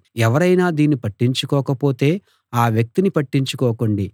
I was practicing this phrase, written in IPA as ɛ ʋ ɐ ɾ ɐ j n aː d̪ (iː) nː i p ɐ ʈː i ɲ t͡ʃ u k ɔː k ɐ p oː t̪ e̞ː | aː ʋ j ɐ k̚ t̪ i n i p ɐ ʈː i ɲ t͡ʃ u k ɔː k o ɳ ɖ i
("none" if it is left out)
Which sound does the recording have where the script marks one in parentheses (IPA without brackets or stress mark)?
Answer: iː